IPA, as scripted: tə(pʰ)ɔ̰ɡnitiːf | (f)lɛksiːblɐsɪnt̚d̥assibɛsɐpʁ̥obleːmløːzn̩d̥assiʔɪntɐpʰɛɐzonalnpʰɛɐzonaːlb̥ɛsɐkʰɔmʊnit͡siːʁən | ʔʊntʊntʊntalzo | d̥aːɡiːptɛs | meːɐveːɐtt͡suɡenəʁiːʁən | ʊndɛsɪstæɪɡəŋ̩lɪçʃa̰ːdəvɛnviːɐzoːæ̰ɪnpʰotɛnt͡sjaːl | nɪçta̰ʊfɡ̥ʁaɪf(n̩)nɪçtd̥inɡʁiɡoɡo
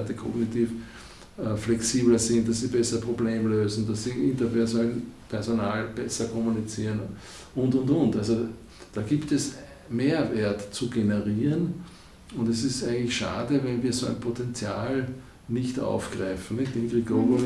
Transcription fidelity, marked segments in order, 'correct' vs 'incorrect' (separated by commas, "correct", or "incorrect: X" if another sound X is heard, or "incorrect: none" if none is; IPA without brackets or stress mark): incorrect: kʰ, correct, correct